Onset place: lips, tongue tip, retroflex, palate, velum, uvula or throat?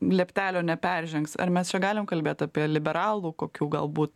tongue tip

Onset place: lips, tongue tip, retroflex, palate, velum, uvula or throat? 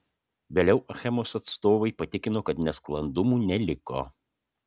lips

